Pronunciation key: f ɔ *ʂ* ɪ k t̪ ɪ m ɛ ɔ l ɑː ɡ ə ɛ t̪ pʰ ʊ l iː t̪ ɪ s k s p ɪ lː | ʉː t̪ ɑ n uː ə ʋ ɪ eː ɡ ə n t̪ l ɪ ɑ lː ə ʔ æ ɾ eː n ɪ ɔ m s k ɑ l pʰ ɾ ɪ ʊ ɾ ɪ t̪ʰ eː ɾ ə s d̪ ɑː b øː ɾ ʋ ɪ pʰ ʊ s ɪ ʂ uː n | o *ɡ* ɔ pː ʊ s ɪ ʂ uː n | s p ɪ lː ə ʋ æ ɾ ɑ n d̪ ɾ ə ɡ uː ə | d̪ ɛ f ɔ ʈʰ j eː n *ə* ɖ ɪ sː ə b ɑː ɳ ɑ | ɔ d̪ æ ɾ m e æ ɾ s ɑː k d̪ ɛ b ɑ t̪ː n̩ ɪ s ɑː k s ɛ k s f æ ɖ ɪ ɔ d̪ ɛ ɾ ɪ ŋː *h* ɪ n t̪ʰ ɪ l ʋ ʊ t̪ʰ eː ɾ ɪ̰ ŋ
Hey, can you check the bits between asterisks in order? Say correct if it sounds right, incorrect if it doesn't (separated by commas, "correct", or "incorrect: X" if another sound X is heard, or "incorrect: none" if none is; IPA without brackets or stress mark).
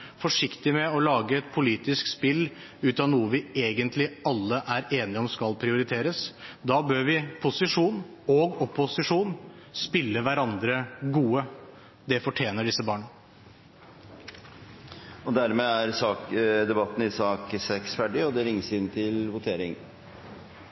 correct, correct, correct, incorrect: s